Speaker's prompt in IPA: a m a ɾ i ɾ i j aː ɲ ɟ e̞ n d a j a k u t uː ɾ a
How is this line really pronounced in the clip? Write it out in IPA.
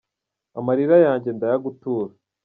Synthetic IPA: a m a ɾ i ɾ a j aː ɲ ɟ e̞ n d a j a ɡ u t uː ɾ a